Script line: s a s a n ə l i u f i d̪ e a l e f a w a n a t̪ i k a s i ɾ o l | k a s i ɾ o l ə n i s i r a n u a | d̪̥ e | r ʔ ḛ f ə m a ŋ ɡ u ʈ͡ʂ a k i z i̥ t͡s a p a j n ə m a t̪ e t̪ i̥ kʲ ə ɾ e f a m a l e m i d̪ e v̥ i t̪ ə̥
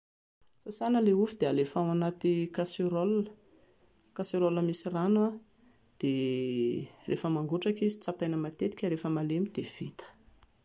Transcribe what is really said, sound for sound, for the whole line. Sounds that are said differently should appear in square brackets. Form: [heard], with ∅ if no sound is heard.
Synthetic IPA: s a s a n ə l [e] u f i d̪ e a l e f a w a n a t̪ i k a s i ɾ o l | k a s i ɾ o l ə [m] i s i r a n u a | d̪̥ e | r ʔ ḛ f ə m a ŋ ɡ u ʈ͡ʂ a k i z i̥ t͡s a p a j n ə m a t̪ e t̪ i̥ kʲ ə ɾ e f [ə] m a l e m i d̪ e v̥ i t̪ ə̥